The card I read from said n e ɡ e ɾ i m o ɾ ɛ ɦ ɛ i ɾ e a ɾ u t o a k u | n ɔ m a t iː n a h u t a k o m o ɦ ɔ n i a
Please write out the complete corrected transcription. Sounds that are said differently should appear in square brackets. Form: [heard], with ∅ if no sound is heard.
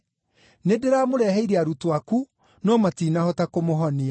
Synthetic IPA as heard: n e [d] e ɾ [a] m o ɾ ɛ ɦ ɛ i ɾ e a ɾ u t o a k u | n ɔ m a t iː n a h [ɔ] t a k o m o ɦ ɔ n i a